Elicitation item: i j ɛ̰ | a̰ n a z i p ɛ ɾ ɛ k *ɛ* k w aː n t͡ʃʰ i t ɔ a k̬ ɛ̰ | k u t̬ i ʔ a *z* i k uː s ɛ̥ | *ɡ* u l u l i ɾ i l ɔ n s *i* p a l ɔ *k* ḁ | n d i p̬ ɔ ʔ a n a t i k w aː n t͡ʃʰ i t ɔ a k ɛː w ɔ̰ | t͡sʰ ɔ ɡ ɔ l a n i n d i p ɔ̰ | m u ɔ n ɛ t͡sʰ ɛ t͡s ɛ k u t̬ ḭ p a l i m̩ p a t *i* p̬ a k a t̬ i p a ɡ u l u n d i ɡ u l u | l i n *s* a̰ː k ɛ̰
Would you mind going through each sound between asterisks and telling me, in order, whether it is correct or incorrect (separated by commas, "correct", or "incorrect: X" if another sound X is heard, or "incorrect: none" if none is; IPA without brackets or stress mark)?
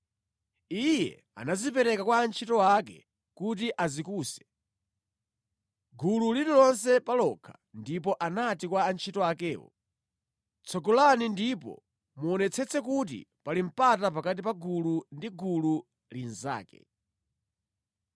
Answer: incorrect: a, correct, correct, incorrect: ɛ, incorrect: kʰ, incorrect: a, incorrect: z